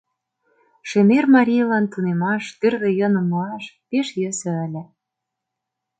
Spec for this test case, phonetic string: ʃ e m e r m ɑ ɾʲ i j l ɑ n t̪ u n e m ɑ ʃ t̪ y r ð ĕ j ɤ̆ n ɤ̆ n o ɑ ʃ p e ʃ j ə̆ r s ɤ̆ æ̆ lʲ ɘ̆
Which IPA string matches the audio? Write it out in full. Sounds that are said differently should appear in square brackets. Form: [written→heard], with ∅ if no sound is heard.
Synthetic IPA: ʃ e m e r m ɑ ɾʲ i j l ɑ n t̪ u n e m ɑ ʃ t̪ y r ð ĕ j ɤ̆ n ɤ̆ [n→m] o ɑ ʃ p e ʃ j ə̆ [r→∅] s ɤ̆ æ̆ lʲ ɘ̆